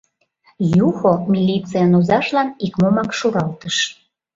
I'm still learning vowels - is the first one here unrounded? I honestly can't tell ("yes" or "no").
no